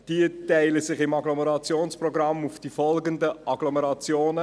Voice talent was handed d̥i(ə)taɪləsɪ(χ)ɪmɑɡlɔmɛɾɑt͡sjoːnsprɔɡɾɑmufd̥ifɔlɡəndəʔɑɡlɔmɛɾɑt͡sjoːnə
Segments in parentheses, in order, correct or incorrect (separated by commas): correct, correct